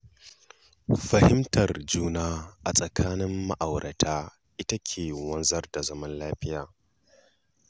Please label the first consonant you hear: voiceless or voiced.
voiceless